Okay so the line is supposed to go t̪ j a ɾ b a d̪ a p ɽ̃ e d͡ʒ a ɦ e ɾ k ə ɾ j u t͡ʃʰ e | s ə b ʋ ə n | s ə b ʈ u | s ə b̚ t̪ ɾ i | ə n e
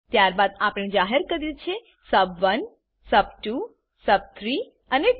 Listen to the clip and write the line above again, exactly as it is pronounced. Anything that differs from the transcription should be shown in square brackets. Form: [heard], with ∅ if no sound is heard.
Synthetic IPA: t̪ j a ɾ b a d̪ a p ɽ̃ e d͡ʒ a ɦ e ɾ k ə ɾ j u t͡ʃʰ e | s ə b ʋ ə n | s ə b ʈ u | s ə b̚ [t̪ʰ] ɾ i | ə n e